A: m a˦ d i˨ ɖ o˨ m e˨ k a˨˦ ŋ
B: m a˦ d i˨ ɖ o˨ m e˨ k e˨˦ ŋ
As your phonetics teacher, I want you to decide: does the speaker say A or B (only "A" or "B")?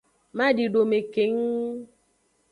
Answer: B